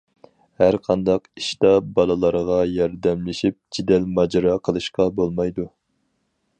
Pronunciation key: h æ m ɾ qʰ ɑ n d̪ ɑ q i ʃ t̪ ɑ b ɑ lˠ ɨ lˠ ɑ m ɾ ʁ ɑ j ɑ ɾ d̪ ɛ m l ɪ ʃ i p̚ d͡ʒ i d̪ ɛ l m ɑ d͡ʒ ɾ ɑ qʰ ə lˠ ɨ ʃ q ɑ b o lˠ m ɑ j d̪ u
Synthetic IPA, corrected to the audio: h æ ɾ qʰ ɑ n d̪ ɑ q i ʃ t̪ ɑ b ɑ lˠ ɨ lˠ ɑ ɾ ʁ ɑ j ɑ ɾ d̪ ɛ m l ɪ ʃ i p̚ d͡ʒ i d̪ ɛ l m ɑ d͡ʒ ɾ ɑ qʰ ə lˠ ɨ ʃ q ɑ b o lˠ m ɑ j d̪ u